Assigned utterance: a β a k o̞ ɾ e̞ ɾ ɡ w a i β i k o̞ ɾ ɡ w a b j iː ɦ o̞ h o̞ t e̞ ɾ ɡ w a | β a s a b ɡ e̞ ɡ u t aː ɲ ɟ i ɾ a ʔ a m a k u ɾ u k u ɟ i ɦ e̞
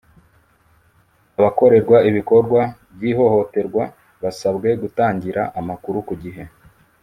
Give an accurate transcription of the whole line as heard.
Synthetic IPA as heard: a β a k o̞ ɾ e̞ ɾ ɡ w a i β i k o̞ ɾ ɡ w a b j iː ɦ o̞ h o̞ t e̞ ɾ ɡ w a | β a s a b ɡ e̞ ɡ u t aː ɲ ɟ i ɾ a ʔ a m a k u ɾ u k u ɟ i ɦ e̞